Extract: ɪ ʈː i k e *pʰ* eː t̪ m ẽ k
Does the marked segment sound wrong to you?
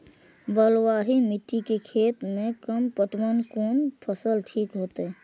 yes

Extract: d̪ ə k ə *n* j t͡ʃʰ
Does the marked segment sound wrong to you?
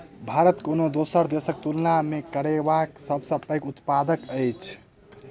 yes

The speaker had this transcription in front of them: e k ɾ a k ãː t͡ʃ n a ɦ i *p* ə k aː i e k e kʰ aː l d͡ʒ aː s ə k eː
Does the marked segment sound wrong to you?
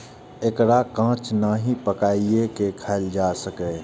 no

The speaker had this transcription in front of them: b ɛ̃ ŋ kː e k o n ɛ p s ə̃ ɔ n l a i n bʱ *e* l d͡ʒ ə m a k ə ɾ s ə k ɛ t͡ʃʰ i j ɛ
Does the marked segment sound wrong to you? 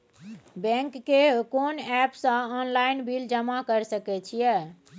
yes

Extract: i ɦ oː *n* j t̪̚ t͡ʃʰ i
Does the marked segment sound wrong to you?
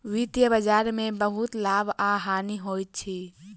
yes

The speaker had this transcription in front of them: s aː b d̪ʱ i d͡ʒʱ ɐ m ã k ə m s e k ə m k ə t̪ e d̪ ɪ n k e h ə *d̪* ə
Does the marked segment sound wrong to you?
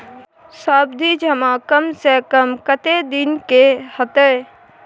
yes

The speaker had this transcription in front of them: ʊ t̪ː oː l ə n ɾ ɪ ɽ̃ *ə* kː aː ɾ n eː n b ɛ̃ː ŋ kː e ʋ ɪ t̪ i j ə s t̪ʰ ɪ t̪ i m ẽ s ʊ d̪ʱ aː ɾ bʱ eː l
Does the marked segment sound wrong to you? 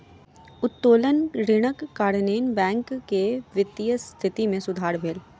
no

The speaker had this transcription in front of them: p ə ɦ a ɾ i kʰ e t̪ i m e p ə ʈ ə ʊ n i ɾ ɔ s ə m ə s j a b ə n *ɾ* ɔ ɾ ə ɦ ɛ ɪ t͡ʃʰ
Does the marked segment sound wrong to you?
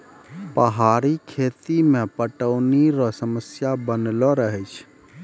yes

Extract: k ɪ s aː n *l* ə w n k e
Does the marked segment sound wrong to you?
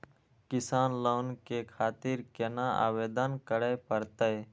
no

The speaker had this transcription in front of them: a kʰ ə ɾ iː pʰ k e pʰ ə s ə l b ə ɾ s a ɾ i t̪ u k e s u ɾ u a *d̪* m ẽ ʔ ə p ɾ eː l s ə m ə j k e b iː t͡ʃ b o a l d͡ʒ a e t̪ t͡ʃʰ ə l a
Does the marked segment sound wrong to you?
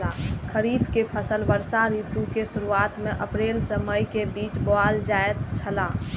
yes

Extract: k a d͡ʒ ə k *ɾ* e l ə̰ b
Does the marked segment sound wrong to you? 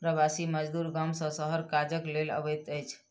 yes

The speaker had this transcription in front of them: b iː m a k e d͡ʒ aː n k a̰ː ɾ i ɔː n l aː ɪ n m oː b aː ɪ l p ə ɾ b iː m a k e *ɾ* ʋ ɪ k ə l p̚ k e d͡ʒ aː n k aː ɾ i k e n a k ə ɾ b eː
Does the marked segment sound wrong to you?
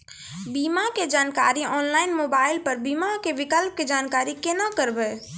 yes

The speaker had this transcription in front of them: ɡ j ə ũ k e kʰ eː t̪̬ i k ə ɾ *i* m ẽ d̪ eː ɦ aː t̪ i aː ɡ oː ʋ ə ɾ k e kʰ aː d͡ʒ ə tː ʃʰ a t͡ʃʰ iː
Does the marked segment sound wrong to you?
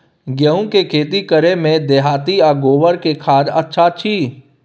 yes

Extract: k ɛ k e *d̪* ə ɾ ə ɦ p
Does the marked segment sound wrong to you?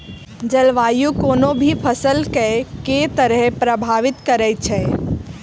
yes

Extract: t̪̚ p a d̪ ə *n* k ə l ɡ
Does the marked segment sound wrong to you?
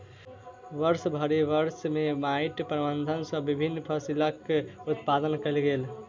no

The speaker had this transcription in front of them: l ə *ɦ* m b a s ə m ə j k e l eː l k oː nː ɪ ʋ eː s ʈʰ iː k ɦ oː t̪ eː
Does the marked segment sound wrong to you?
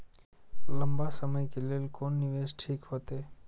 yes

